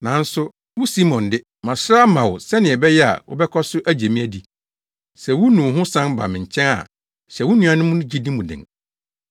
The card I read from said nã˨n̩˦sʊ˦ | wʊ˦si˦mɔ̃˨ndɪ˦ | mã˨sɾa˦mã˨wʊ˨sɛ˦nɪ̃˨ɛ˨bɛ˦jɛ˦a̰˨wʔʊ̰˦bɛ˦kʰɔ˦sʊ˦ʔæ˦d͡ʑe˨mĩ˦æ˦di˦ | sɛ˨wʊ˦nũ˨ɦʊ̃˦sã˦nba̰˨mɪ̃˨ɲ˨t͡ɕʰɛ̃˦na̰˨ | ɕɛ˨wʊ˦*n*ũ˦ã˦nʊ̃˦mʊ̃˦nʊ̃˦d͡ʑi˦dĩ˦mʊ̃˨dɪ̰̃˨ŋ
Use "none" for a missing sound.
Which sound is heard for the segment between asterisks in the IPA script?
n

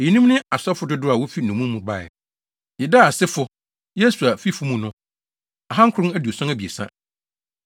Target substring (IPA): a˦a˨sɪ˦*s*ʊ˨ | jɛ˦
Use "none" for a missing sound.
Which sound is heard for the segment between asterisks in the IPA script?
f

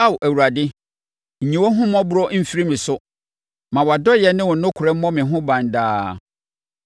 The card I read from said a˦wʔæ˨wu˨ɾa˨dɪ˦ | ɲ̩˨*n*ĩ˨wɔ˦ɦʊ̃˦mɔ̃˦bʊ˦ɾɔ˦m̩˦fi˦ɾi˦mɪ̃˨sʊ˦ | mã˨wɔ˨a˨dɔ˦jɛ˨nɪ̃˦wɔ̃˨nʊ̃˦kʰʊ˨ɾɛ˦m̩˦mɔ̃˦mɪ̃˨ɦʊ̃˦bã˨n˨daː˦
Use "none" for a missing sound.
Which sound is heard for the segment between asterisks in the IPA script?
ɲ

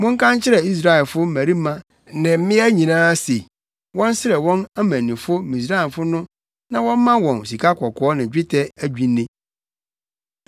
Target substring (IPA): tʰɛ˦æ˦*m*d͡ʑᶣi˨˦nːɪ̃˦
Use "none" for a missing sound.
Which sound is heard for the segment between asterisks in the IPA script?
none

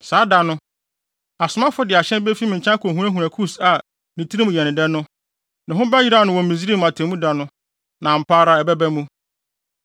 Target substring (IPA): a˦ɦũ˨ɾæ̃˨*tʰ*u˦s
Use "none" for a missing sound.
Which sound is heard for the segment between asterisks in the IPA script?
kʰ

